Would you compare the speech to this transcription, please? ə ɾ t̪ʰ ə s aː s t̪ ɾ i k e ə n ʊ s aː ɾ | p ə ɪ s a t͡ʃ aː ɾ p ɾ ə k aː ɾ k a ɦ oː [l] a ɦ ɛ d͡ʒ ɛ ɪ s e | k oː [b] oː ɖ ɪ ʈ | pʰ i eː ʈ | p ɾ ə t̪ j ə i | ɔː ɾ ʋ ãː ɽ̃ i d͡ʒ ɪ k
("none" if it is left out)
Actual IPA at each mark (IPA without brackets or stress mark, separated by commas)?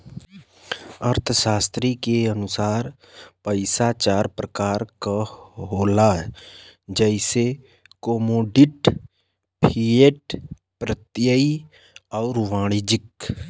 l, m